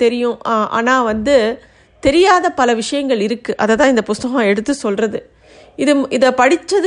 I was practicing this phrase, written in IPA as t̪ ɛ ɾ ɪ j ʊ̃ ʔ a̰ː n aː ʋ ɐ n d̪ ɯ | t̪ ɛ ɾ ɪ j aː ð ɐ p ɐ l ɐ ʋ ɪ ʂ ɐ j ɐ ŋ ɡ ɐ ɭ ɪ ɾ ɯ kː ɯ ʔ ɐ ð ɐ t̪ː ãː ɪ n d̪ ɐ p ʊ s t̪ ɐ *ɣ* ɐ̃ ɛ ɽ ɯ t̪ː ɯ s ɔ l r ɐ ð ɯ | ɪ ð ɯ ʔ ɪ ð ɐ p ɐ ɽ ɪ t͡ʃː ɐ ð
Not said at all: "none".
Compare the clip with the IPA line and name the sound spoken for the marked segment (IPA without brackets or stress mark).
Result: ɣ